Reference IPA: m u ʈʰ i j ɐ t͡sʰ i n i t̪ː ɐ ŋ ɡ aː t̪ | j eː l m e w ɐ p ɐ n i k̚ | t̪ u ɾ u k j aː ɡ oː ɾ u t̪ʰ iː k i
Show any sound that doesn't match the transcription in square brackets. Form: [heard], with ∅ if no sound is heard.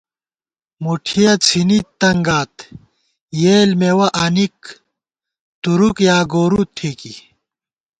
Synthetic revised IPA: m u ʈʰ i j ɐ t͡sʰ i n i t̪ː ɐ ŋ ɡ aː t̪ | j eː l m e w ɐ [ʔ] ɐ n i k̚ | t̪ u ɾ u k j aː ɡ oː ɾ u t̪ʰ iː k i